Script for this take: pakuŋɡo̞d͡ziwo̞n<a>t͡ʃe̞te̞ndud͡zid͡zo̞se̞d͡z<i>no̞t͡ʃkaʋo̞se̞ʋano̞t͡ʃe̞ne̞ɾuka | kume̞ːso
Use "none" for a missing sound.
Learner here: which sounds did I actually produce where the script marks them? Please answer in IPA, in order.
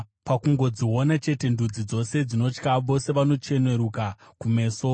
a, i

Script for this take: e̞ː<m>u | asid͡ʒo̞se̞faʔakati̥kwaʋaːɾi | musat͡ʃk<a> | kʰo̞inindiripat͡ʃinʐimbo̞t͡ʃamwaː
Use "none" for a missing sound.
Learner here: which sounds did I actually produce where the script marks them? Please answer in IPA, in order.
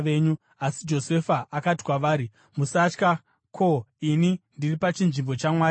ɲ, a

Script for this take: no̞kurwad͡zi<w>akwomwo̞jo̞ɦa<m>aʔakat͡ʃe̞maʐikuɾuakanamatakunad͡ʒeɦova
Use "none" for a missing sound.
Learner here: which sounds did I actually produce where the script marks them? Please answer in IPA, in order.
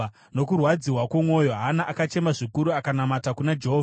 w, n

